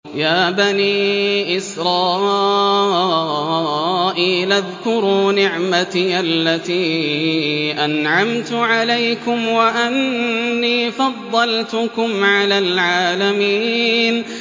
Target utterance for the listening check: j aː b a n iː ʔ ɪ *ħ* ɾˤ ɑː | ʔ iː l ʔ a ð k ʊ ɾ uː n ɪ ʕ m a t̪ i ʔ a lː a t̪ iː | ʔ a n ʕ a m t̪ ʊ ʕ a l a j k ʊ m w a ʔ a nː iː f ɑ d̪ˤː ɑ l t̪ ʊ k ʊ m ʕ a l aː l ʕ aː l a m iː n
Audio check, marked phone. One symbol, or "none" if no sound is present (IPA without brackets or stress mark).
s